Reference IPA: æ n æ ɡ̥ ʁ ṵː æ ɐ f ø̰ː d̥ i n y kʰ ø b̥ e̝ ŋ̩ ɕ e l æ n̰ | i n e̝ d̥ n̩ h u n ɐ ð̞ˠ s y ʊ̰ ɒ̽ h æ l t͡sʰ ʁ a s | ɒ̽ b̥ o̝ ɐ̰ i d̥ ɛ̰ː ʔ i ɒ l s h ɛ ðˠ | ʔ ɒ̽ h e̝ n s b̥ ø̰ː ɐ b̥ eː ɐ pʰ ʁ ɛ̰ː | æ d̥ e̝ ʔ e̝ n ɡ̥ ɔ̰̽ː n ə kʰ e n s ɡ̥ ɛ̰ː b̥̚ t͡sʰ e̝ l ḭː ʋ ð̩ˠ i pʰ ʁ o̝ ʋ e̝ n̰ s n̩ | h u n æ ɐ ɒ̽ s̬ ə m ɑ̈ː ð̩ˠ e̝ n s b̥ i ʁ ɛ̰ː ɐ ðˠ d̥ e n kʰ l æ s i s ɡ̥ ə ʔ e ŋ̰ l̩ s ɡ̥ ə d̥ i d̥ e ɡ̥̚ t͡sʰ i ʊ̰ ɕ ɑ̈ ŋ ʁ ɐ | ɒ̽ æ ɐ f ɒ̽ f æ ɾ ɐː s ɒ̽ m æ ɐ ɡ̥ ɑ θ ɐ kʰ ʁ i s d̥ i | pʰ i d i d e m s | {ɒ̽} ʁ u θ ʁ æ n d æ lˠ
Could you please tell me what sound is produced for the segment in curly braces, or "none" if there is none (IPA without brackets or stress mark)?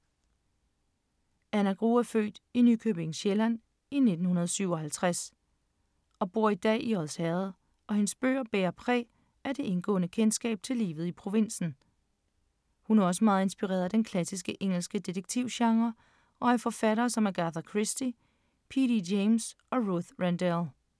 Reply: ɒ̽